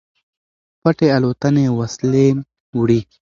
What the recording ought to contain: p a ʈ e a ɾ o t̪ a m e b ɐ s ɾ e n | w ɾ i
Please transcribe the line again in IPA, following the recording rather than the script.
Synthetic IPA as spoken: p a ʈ e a l o t̪ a n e w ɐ s l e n | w ɽ i

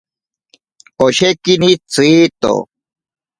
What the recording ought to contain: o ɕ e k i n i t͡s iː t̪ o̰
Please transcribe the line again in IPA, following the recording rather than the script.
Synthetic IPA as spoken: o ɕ e k i n i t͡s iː t̪ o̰

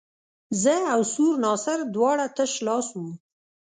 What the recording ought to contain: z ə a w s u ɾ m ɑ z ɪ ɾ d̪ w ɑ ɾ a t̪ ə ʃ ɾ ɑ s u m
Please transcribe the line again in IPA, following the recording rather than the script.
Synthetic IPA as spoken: z ə a w s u ɾ n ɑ s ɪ ɾ d̪ w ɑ ɽ a t̪ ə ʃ l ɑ s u m

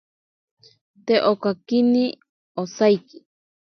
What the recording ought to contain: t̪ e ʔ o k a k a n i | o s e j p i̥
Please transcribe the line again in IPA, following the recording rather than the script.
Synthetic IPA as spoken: t̪ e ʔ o k a k i n i | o s a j k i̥

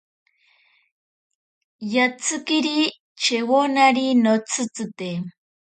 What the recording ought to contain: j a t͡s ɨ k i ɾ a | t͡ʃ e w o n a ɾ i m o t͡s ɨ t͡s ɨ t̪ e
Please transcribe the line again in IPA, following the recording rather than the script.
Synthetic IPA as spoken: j a t͡s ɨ k i ɾ i | t͡ʃ e w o n a ɾ i n o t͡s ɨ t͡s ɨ t̪ e

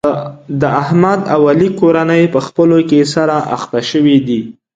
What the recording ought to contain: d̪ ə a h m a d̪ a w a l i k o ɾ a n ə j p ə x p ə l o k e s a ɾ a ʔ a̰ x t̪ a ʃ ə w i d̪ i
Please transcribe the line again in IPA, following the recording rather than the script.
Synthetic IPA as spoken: d̪ ə a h m a d̪ a w a l i k o ɾ a n ə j p ə x p ə l o k e s a ɾ a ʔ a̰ x t̪ a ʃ ə w i d̪ i

